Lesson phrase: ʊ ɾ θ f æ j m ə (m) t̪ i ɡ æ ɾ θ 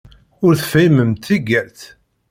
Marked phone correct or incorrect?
correct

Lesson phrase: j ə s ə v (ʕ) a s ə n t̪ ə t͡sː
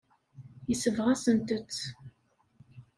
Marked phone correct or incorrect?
incorrect: ʁ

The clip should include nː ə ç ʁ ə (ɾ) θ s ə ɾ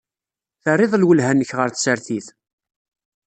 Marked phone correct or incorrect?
correct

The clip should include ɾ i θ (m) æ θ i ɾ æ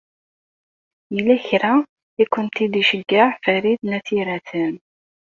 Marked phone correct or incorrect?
incorrect: n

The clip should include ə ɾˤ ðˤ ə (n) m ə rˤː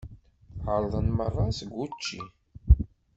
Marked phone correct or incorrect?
correct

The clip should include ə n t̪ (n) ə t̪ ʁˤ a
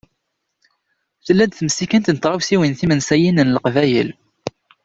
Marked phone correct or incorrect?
correct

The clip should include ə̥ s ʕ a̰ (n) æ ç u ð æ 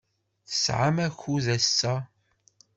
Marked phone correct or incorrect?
incorrect: m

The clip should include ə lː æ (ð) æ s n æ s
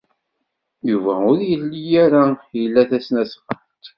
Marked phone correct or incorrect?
incorrect: θ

